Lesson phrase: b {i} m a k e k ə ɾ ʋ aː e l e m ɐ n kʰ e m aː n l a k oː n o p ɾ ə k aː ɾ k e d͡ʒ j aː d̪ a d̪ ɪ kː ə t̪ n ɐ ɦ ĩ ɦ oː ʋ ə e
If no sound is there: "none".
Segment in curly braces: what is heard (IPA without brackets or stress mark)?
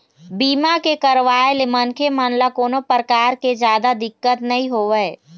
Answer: iː